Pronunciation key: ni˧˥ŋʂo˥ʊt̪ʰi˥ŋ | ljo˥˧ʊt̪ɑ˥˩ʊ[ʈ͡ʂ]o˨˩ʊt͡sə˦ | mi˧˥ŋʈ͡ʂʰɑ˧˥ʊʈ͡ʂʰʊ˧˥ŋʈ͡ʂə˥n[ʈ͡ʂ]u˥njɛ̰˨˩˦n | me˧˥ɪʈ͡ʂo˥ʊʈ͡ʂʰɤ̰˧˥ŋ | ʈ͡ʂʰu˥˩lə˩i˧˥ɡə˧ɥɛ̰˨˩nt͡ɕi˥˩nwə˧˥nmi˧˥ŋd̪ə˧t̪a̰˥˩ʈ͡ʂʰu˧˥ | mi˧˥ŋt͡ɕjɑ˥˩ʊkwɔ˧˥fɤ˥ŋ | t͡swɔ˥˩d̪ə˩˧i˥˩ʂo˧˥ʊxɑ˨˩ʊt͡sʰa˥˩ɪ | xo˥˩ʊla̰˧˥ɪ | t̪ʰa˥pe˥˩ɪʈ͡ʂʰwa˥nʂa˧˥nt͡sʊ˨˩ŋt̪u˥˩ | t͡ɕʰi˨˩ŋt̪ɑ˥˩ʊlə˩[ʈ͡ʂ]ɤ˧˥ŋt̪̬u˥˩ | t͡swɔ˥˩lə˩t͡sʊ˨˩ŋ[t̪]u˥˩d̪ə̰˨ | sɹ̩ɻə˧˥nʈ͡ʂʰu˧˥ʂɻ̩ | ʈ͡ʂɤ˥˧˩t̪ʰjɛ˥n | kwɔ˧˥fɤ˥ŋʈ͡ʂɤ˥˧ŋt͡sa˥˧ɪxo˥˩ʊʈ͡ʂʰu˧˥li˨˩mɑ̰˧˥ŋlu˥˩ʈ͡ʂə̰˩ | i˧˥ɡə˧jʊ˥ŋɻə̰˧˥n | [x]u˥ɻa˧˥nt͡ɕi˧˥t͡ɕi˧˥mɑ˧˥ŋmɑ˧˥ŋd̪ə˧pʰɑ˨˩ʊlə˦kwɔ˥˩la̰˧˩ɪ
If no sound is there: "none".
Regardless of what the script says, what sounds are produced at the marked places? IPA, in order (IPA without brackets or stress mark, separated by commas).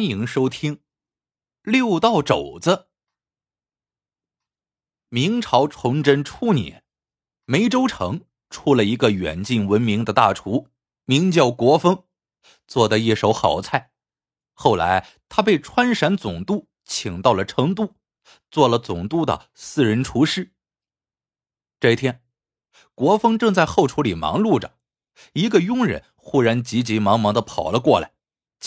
ʈ͡ʂ, ʈ͡ʂʰ, ʈ͡ʂʰ, t̪, x